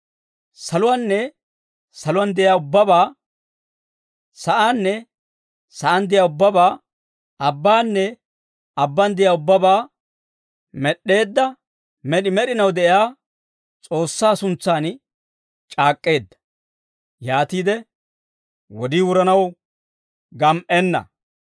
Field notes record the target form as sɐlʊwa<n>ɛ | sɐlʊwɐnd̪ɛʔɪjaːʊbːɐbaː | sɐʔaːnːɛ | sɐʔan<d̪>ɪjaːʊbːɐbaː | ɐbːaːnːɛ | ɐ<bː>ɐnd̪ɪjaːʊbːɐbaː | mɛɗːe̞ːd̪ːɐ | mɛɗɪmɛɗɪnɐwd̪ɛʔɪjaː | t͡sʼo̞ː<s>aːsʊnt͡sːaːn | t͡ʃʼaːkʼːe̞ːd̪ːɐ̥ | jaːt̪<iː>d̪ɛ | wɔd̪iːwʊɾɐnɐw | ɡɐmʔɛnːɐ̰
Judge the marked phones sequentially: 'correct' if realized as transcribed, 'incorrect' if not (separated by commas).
incorrect, correct, correct, incorrect, correct